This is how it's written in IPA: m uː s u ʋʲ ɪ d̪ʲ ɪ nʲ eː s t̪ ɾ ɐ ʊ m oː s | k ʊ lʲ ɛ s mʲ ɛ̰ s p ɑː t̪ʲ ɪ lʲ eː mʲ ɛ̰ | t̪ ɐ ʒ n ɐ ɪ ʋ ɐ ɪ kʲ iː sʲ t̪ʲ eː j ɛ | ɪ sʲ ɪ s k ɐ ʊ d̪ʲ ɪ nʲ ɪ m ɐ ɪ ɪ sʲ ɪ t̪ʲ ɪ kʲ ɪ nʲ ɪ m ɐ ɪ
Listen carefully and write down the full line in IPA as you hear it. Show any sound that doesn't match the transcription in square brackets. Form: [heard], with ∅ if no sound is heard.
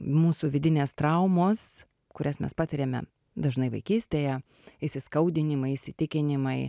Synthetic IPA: m uː s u ʋʲ ɪ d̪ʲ ɪ nʲ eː s t̪ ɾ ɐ ʊ m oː s | k ʊ [ɾʲ] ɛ s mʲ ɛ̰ s p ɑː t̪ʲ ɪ [ɾʲ] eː mʲ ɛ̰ | [d̪] ɐ ʒ n ɐ ɪ ʋ ɐ ɪ kʲ iː sʲ t̪ʲ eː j ɛ | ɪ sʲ ɪ s k ɐ ʊ d̪ʲ ɪ nʲ ɪ m ɐ ɪ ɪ sʲ ɪ t̪ʲ ɪ kʲ ɪ nʲ ɪ m ɐ ɪ